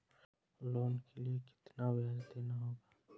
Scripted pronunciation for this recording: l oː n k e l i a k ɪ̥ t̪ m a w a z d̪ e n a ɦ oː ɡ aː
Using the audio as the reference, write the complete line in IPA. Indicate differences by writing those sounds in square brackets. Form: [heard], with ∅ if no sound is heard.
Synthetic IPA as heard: l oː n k e l i [e] k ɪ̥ t̪ [n] a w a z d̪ e n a ɦ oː ɡ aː